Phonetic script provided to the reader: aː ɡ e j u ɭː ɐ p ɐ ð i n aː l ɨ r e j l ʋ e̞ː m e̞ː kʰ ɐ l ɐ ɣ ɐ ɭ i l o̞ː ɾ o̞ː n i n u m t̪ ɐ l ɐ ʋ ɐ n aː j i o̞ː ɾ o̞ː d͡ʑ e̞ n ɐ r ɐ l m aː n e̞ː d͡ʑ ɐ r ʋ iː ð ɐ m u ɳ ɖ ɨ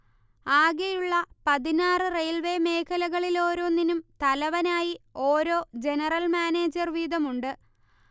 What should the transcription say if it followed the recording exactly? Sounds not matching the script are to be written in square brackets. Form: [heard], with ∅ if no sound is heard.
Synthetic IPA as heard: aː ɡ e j u ɭː ɐ p ɐ ð i n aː [r] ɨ r e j l ʋ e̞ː m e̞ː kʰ ɐ l ɐ ɣ ɐ ɭ i l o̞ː ɾ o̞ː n i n u m t̪ ɐ l ɐ ʋ ɐ n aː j i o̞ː ɾ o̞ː d͡ʑ e̞ n ɐ r ɐ l m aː n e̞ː d͡ʑ ɐ r ʋ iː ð ɐ m u ɳ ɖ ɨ